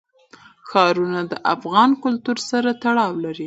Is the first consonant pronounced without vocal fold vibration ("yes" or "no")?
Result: yes